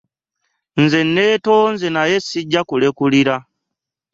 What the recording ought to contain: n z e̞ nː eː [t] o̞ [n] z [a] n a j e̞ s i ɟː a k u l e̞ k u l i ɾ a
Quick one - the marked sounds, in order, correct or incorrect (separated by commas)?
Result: correct, correct, incorrect